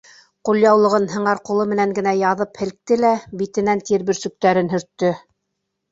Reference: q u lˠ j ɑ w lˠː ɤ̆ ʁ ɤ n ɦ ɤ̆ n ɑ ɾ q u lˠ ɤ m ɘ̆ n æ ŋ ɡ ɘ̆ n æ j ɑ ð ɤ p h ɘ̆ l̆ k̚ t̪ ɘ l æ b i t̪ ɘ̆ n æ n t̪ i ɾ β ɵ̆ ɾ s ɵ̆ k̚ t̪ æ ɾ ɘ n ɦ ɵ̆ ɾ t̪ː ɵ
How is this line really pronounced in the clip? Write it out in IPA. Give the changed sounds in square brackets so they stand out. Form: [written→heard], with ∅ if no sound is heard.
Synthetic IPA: q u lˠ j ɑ w [lˠː→lˠ] ɤ̆ ʁ ɤ n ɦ ɤ̆ [n→ɴ] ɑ ɾ q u lˠ ɤ m ɘ̆ n æ ŋ ɡ ɘ̆ n æ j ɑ ð ɤ p h ɘ̆ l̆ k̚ t̪ ɘ l æ b i t̪ ɘ̆ n æ n t̪ i ɾ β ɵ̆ ɾ s ɵ̆ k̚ t̪ æ ɾ ɘ n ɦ ɵ̆ ɾ t̪ː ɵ

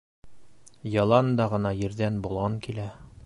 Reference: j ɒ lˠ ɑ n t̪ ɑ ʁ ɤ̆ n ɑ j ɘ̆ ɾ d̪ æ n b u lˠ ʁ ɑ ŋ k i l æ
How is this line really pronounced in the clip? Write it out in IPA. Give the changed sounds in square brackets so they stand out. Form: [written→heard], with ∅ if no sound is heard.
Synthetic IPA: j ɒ lˠ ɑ n [t̪→d̪] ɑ ʁ ɤ̆ n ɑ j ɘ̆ ɾ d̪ æ n b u lˠ ʁ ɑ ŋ k i l æ

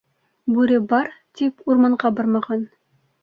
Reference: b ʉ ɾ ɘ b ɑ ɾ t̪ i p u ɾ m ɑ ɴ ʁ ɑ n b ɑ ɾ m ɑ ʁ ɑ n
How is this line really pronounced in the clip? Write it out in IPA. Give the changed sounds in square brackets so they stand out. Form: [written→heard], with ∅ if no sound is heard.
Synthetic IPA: b ʉ ɾ ɘ b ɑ ɾ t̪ i p u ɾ m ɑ ɴ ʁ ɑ [n→∅] b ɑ ɾ m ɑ ʁ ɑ n

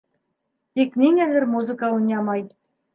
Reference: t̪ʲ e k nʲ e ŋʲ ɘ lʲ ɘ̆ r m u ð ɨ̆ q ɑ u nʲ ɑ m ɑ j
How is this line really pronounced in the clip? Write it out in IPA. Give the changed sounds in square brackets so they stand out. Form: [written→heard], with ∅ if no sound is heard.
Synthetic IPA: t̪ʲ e k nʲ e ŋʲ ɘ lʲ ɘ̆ r m u [ð→z] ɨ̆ [q→k] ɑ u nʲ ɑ m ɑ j

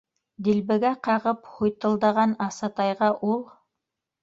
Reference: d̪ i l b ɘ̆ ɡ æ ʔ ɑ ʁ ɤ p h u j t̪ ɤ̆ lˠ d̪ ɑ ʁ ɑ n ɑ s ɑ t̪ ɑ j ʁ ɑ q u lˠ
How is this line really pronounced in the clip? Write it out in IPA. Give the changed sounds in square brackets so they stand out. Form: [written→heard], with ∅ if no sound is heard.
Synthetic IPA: d̪ i l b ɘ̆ ɡ æ [ʔ→q] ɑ ʁ ɤ p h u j t̪ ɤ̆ lˠ d̪ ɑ ʁ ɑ n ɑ s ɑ t̪ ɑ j ʁ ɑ [q→ʔ] u lˠ

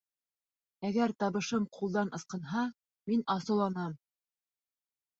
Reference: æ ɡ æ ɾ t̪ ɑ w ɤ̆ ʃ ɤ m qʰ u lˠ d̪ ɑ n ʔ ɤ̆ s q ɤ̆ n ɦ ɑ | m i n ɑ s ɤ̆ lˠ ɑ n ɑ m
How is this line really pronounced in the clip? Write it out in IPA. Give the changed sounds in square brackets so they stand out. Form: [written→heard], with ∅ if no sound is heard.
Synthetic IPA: æ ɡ æ ɾ t̪ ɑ [w→β] ɤ̆ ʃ ɤ m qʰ u lˠ d̪ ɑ n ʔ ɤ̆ s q ɤ̆ n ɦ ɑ | m i n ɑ s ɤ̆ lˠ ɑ n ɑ m

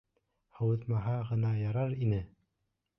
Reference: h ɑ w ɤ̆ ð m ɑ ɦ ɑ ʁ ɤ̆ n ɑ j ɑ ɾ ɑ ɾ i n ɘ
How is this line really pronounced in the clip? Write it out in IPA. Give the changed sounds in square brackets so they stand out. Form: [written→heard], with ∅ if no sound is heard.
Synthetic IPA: h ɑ w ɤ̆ ð m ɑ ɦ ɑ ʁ ɤ̆ n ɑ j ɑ ɾ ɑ ɾ i n ɘ

